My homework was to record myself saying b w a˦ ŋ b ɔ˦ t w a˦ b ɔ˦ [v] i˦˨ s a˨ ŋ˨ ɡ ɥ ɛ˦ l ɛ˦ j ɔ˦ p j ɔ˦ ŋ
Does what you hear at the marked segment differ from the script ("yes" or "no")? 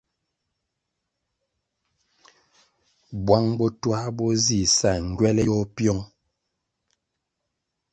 yes